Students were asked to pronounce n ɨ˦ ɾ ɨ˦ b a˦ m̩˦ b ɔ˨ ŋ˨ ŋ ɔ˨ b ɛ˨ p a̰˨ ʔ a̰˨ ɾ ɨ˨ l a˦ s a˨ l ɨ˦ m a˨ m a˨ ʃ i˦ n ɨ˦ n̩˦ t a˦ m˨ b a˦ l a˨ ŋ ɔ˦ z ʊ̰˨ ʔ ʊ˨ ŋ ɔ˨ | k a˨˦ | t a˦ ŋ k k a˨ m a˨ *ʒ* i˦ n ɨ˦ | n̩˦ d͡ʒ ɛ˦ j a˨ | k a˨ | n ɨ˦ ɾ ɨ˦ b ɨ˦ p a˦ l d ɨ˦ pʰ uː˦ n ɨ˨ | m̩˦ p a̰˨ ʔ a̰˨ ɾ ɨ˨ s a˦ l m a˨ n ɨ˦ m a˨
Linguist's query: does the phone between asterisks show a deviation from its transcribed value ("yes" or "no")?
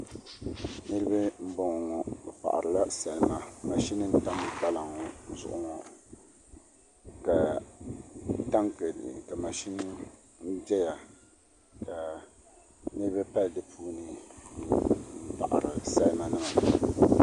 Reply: yes